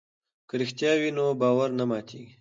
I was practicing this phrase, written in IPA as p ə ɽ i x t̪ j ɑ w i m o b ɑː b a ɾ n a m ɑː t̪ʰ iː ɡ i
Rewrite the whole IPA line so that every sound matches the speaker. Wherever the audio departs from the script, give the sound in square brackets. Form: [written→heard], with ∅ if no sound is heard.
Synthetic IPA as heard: [p→k] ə [ɽ→ɾ] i x t̪ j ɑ w i [m→n] o b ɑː [b→w] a ɾ n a m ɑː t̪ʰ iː ɡ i

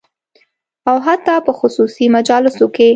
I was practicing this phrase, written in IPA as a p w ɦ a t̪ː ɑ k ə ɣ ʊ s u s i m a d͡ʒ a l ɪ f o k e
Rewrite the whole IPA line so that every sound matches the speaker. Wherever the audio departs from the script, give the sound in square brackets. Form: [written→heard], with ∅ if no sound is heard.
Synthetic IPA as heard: a [p→∅] w ɦ a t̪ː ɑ [k→p] ə [ɣ→x] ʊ s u s i m a d͡ʒ [a→ɑ] l ɪ [f→s] o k e

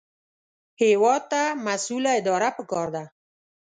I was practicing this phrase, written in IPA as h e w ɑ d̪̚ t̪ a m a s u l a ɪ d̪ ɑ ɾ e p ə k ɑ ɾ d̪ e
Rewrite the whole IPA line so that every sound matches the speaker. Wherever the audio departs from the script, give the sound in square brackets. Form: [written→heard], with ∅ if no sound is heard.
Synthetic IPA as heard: h e w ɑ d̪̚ t̪ a m a s u l a ɪ d̪ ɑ ɾ [e→a] p ə k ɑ ɾ d̪ [e→a]

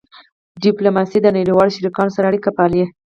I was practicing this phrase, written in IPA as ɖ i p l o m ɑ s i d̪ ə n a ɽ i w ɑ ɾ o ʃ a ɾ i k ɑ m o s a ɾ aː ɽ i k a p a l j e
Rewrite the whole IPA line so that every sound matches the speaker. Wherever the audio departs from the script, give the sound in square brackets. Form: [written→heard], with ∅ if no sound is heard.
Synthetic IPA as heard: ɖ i p l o m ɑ s i d̪ ə n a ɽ i w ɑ [ɾ→l] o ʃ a ɾ i k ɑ [m→n] o s a ɾ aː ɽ i k a p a l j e

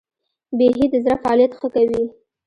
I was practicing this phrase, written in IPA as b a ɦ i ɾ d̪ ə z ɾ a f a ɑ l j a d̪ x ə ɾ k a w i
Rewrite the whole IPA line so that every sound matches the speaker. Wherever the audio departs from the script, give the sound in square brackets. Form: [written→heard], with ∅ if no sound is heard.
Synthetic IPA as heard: b [a→e] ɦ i [ɾ→∅] d̪ ə z ɾ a f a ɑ l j a [d̪→t̪] x ə [ɾ→∅] k a w i

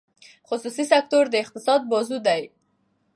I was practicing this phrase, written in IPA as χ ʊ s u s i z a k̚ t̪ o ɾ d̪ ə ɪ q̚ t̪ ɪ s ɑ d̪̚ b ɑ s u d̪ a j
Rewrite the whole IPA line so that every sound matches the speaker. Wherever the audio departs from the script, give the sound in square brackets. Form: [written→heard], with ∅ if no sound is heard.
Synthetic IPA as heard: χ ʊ s u s i [z→s] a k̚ t̪ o ɾ d̪ ə ɪ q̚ t̪ ɪ s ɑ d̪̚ b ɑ [s→z] u d̪ a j

